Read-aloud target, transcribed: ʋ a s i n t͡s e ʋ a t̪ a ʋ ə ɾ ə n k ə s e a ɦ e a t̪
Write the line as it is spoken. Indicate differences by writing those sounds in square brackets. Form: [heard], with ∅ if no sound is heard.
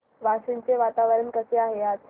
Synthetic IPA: ʋ a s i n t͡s e ʋ a t̪ a ʋ ə ɾ ə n k ə s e a ɦ e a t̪